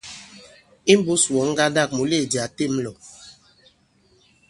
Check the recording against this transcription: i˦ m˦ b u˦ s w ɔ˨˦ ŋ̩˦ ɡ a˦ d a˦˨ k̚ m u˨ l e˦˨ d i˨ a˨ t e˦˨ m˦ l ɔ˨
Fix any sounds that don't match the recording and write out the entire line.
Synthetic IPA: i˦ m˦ b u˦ s w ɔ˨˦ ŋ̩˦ ɡ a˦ d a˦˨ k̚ m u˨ l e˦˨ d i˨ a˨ t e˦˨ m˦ l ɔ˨